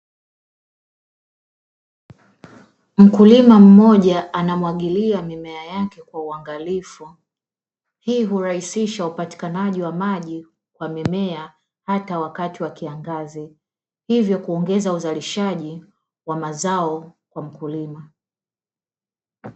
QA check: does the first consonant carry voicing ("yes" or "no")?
yes